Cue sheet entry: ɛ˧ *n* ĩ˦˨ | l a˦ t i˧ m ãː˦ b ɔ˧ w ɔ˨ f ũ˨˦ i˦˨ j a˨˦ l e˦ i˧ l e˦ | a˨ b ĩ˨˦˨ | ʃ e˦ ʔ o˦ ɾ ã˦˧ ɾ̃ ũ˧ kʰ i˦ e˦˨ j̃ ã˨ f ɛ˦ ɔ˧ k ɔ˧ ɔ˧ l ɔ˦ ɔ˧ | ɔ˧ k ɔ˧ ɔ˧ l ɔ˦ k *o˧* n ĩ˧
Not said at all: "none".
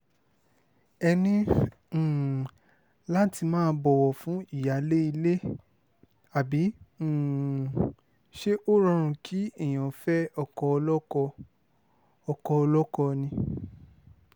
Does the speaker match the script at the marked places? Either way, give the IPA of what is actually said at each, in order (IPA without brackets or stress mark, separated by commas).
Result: n, ɔ˧